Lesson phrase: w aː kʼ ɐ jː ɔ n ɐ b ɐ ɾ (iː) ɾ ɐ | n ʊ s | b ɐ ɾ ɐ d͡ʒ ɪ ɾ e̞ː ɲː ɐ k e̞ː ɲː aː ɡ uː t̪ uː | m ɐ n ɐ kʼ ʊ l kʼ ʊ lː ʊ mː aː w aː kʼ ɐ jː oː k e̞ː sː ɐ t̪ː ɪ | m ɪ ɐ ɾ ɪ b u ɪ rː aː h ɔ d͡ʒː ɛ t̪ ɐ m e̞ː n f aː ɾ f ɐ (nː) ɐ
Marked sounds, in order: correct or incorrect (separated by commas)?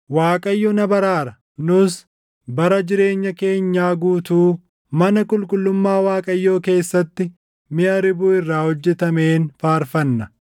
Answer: incorrect, correct